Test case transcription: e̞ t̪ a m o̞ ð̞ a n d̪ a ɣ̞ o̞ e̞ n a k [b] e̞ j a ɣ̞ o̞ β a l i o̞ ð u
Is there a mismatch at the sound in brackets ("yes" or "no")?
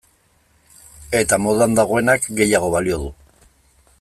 yes